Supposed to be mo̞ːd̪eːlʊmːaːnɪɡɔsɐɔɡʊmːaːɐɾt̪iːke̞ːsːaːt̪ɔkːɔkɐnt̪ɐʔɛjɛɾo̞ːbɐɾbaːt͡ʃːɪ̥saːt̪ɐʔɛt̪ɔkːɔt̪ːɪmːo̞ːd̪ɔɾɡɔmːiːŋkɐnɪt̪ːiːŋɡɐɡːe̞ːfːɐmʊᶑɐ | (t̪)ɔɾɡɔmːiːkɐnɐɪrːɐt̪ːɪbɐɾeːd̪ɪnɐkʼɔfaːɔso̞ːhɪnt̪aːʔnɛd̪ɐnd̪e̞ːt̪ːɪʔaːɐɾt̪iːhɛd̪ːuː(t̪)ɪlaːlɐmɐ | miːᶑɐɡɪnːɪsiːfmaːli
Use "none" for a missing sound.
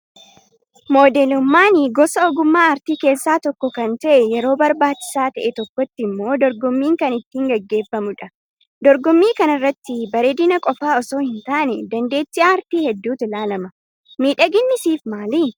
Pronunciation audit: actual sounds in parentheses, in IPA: d̪, t̪

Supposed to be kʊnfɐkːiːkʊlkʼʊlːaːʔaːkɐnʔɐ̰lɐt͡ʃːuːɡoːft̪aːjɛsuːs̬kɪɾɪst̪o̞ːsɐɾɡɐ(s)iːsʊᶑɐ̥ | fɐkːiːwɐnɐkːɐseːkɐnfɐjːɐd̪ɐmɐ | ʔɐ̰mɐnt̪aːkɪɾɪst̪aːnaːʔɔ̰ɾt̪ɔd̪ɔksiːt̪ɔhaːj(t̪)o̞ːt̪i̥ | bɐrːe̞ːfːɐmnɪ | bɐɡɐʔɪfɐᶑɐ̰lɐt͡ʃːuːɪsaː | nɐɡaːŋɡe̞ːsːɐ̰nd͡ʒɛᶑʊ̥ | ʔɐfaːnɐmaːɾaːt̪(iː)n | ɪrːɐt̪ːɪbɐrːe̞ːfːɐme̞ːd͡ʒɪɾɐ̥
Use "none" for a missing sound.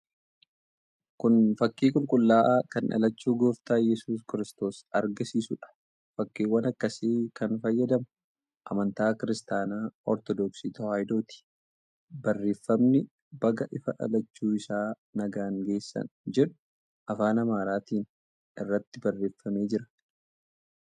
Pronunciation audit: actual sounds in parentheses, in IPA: s, d̪, iː

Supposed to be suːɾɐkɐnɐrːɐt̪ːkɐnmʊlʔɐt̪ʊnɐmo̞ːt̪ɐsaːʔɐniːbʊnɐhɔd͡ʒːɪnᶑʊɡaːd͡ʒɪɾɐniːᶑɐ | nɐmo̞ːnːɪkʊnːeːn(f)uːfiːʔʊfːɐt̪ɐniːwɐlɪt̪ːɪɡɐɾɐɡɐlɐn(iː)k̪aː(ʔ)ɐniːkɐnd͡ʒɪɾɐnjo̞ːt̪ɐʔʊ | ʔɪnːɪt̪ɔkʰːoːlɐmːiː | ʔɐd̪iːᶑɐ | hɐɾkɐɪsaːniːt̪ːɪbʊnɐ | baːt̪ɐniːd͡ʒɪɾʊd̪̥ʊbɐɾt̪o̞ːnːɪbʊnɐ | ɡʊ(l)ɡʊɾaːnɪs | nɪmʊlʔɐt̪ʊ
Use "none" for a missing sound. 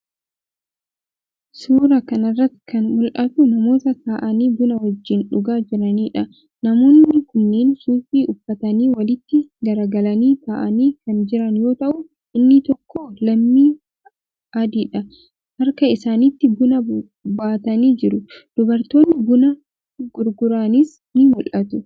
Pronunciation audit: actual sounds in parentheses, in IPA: s, iː, ʔ, ɾ

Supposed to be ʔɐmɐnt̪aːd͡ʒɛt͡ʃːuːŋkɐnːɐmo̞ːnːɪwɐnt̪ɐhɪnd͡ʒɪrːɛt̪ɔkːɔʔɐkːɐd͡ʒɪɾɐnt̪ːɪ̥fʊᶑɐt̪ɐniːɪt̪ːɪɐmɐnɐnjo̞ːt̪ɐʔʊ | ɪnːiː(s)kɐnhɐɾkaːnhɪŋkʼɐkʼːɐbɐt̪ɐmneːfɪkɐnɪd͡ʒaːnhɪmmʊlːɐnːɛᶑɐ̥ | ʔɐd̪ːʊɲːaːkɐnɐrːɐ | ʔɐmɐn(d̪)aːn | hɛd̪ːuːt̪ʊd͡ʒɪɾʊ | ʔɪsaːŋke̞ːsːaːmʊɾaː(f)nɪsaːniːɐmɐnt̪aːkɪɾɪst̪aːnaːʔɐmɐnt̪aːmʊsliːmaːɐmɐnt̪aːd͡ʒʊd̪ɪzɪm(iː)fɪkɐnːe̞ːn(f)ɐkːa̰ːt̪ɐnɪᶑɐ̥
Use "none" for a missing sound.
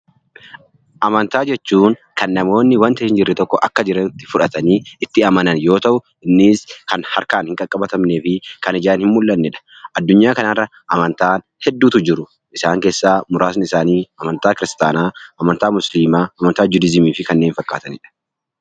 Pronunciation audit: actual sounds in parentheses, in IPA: s, t̪, s, iː, f

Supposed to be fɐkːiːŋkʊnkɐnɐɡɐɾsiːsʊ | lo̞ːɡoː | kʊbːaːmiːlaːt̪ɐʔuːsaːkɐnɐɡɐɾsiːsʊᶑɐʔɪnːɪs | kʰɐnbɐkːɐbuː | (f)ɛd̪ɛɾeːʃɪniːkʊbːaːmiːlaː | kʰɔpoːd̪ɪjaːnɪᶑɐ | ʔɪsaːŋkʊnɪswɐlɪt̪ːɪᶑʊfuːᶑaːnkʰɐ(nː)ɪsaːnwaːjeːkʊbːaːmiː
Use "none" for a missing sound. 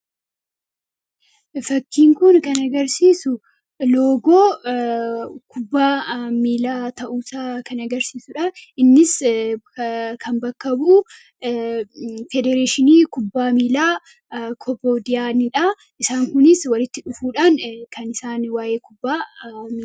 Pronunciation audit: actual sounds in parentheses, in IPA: f, n

